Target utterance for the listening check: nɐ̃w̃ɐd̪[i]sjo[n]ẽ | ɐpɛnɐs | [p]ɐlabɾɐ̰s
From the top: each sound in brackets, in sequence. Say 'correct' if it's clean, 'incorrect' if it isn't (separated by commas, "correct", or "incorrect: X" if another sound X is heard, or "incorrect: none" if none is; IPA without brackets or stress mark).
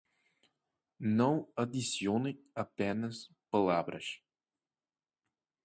correct, correct, correct